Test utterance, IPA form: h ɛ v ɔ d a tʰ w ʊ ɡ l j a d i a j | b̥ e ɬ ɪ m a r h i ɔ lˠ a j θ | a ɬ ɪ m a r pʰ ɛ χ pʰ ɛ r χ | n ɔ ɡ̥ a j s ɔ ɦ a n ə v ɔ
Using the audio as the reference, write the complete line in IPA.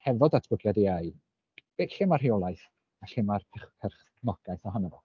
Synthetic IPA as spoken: h ɛ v ɔ d a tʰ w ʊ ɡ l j a d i a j | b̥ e ɬ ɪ m a r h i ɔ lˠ a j θ | a ɬ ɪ m a r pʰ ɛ χ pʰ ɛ r χ | n ɔ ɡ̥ a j θ ɔ ɦ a n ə v ɔ

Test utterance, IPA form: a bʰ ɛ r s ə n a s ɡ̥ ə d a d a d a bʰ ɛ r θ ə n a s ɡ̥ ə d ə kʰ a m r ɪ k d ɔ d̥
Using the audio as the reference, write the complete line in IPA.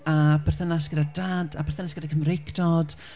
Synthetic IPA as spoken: a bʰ ɛ r θ ə n a s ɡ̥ ə d a d a d a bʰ ɛ r θ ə n a s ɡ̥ ə d a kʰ ə m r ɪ k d ɔ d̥

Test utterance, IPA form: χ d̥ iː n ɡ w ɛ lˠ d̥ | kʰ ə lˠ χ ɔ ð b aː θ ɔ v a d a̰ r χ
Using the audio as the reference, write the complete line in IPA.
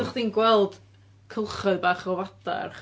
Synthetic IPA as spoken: χ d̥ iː n ɡ w ɛ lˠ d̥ | kʰ ə lˠ χ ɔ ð b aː χ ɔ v a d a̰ r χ

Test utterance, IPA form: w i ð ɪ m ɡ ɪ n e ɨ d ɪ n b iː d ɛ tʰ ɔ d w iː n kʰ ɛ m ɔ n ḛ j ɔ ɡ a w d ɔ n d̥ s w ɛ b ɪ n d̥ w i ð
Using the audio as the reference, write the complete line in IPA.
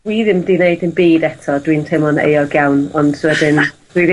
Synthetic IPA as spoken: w i ð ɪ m d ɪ n e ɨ d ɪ n b iː d ɛ tʰ ɔ d w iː n tʰ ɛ m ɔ n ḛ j ɔ ɡ a w n ɔ n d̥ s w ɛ d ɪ n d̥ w i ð

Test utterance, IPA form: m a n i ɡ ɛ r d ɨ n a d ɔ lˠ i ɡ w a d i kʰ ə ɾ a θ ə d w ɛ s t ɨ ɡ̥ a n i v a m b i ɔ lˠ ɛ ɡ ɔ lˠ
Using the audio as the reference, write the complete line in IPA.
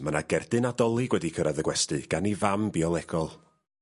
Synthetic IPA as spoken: m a n a ɡ ɛ r d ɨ n a d ɔ lˠ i ɡ w ɛ d i kʰ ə ɾ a ð ə ɡ w ɛ s t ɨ ɡ̥ a n i v a m b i ɔ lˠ ɛ ɡ ɔ lˠ

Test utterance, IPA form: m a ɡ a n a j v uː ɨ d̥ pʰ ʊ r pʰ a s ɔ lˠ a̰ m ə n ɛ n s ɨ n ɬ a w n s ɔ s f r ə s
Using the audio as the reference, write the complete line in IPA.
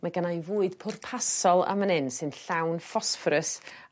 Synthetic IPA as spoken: m a ɡ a n a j v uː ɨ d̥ pʰ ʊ r pʰ a s ɔ lˠ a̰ m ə n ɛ n s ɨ n ɬ a w n f ɔ s f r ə s

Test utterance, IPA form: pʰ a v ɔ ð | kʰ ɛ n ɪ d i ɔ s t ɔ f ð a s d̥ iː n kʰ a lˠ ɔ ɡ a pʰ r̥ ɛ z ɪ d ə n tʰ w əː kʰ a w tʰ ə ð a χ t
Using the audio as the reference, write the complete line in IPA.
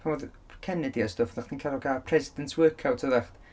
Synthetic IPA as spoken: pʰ a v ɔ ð | kʰ ɛ n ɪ d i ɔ s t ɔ f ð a χ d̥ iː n kʰ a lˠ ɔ ɡ a pʰ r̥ ɛ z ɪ d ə n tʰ w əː kʰ a w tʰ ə ð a χ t

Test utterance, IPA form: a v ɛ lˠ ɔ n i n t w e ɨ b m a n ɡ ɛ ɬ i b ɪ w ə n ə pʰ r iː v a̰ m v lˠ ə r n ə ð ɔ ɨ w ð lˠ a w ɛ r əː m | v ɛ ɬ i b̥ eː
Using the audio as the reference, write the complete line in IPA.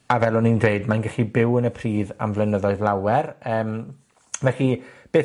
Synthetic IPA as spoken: a v ɛ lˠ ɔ n i n d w e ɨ d m a n ɡ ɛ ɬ i b ɪ w ə n ə pʰ r iː ð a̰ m v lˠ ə n ə ð ɔ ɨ ð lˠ a w ɛ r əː m | v ɛ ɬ i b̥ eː

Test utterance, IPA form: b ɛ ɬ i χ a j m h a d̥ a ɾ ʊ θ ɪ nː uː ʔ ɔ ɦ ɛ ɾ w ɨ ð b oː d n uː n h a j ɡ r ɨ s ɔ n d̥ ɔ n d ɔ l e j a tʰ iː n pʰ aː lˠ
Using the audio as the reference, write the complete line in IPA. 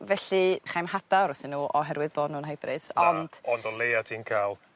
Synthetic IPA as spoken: v ɛ ɬ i χ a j m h a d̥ a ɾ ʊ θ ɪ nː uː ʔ ɔ ɦ ɛ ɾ w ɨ ð b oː d n uː n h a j b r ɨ s ɔ n d̥ ɔ n d ɔ l e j a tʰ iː n kʰ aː lˠ

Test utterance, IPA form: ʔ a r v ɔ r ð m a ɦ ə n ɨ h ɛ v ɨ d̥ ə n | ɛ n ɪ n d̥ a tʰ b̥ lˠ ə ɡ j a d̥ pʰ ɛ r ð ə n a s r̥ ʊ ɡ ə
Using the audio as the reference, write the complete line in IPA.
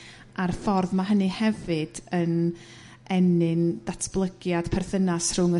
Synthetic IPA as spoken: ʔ a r f ɔ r ð m a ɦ ə n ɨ h ɛ v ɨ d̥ ə n | ɛ n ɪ n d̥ a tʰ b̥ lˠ ə ɡ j a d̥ pʰ ɛ r θ ə n a s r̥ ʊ ŋ ə

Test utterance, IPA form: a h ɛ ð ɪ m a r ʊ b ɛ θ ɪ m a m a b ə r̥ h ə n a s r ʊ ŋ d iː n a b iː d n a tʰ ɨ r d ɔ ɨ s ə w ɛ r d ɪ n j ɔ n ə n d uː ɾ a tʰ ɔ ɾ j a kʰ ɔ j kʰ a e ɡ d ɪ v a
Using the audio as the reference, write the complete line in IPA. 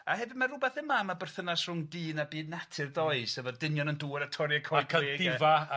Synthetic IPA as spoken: a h ɛ v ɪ m a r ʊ b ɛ θ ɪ m a m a b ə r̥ θ ə n a s r ʊ ŋ d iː n a b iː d n a tʰ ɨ r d ɔ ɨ s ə v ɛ r d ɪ n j ɔ n ə n d uː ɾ a tʰ ɔ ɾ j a kʰ ɔ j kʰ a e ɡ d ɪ v a

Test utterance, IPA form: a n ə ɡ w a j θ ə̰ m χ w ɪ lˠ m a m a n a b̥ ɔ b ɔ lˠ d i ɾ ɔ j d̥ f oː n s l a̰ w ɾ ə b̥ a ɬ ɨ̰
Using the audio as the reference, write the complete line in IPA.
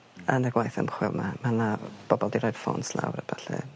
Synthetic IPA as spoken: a n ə ɡ w a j θ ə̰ m χ w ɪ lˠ m a m a n a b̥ ɔ b ɔ lˠ d i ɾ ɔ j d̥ f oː n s l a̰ w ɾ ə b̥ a ɬ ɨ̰

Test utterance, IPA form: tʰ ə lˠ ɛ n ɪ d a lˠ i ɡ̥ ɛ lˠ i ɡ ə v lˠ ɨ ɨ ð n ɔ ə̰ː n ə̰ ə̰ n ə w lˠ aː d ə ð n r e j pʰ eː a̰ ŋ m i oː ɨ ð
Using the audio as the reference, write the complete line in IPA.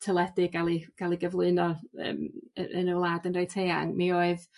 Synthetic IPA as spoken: tʰ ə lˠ ɛ d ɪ ɡ a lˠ i ɡ̥ a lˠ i ɡ ə v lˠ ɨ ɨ n ɔ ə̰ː m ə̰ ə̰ n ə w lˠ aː d ə n r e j tʰ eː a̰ ŋ m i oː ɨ ð

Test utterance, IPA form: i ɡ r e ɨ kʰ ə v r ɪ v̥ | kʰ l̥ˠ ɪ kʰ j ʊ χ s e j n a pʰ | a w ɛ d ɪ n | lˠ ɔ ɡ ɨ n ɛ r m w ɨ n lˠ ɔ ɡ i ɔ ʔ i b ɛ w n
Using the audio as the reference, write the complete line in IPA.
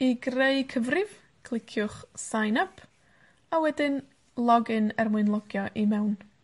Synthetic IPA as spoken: i ɡ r e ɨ kʰ ə v r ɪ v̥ | kʰ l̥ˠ ɪ kʰ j ʊ χ s a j n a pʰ | a w ɛ d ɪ n | lˠ ɔ ɡ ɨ n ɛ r m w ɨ n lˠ ɔ ɡ j ɔ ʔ i m ɛ w n

